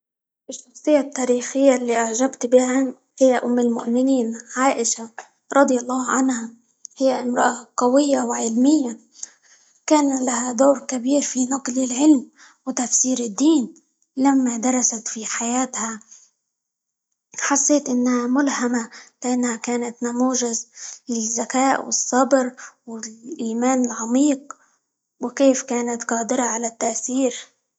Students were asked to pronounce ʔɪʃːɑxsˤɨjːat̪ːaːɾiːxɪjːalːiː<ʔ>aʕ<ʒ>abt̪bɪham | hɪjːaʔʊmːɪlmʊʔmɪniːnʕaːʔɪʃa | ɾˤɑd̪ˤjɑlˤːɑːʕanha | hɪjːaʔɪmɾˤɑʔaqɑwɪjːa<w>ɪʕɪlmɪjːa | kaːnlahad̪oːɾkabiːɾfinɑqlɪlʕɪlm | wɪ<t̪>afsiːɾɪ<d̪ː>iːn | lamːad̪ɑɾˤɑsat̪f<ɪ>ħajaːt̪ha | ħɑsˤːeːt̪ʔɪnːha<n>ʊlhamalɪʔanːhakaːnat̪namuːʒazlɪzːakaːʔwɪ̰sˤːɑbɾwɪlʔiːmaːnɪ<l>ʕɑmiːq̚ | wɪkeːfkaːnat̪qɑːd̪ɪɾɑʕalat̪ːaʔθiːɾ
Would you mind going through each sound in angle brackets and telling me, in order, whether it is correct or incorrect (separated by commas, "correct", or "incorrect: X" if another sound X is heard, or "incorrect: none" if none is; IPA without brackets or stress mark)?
correct, correct, correct, correct, correct, incorrect: i, incorrect: m, correct